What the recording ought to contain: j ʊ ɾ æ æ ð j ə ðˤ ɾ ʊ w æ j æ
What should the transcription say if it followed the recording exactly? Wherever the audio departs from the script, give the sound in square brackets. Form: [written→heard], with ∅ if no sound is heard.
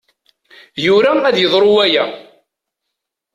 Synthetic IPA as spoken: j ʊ ɾ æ æ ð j ə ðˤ ɾ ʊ w æ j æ